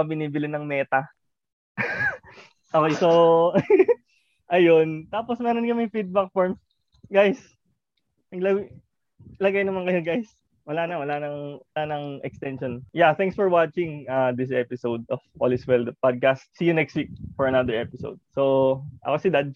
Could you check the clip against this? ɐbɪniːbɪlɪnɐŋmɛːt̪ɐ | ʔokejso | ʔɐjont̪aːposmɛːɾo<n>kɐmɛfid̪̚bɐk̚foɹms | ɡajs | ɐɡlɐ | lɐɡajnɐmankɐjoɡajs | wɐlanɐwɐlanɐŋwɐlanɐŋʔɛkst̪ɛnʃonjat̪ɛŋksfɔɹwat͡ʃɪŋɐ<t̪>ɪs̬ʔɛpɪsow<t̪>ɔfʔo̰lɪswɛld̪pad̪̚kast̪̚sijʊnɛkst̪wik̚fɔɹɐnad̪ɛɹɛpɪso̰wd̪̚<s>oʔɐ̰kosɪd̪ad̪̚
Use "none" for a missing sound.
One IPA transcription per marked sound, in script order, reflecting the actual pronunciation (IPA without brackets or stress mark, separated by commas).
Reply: n, d̪, d̪, s